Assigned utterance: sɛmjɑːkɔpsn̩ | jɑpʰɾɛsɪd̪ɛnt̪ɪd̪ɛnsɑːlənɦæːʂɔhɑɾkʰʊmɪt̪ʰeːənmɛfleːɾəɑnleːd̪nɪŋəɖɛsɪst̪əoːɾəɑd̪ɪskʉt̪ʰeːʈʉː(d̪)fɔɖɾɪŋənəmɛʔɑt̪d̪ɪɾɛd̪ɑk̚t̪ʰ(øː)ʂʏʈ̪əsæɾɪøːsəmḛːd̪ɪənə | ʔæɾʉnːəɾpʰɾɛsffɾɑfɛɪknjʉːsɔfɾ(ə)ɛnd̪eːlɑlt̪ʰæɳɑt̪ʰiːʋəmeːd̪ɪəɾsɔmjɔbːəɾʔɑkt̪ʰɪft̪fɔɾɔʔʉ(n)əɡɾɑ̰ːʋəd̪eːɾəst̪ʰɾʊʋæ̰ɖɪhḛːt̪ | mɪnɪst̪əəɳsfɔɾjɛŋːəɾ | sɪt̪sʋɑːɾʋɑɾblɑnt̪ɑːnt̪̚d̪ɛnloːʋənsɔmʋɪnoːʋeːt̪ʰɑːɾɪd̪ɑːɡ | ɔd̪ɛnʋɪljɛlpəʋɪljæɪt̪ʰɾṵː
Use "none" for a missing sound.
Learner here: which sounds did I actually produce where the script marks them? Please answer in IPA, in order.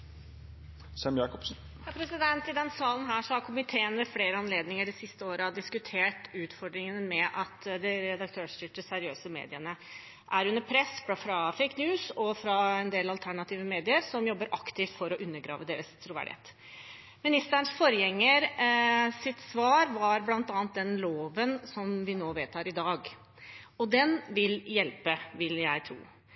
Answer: t̪, øː, ɑ, nː

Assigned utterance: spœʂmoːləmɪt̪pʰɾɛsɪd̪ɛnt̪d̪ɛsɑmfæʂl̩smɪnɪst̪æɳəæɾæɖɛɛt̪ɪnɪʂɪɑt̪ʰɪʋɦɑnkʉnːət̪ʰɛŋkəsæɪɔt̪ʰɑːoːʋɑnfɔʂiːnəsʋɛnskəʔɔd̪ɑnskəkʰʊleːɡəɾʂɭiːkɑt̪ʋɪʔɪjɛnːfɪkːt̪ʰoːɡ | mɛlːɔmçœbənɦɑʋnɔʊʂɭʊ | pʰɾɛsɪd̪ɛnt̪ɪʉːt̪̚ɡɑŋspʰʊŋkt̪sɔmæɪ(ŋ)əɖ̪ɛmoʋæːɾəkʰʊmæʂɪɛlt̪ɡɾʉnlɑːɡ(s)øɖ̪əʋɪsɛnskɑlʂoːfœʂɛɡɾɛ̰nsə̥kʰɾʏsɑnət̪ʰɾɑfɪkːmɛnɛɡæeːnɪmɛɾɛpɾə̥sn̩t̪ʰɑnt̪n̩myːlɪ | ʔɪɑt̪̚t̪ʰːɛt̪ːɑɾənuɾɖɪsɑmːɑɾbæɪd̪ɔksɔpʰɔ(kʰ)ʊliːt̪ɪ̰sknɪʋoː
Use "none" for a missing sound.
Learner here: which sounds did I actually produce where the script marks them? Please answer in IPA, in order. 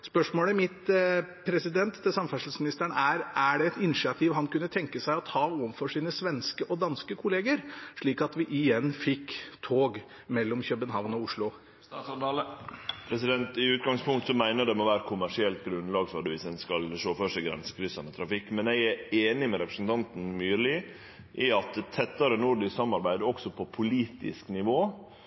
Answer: n, f, pʰ

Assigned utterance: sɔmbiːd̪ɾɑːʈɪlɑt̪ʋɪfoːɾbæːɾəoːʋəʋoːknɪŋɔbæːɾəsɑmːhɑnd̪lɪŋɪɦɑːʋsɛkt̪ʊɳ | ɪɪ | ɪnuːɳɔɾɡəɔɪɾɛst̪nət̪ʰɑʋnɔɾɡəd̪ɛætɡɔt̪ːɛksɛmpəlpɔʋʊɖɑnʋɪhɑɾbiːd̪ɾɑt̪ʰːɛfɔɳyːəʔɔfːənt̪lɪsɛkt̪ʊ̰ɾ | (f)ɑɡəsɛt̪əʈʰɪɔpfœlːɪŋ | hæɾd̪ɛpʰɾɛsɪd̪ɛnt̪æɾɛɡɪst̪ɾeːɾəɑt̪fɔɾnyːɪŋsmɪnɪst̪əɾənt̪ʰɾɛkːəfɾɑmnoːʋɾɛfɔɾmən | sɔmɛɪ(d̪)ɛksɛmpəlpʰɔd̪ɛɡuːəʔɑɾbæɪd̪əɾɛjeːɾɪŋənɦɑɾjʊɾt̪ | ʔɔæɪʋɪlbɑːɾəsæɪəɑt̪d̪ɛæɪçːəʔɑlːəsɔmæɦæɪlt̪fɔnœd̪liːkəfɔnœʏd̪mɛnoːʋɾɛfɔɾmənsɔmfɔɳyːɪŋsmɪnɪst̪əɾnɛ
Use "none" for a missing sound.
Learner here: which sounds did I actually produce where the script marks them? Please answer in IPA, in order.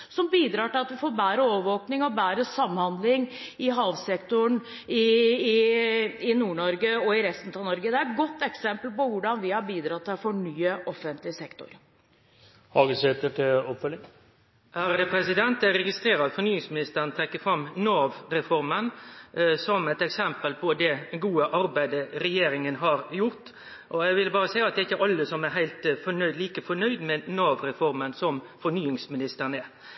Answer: h, t̪

